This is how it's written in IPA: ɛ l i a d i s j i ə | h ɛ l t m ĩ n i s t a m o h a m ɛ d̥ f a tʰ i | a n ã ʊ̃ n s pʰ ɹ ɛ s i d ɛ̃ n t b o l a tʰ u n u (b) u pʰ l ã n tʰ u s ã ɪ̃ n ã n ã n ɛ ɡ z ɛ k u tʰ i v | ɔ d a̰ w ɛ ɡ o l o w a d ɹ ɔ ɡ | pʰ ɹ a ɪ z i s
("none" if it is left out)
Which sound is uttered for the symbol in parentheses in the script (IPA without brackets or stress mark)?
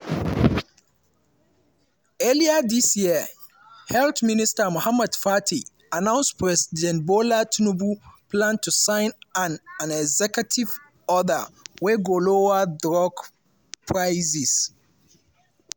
b